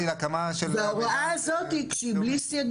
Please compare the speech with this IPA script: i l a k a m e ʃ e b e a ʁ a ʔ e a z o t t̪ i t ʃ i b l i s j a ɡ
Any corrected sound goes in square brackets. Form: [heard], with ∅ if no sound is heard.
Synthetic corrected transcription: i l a k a m [a] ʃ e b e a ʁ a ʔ [a] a z o t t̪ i [k] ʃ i b l i s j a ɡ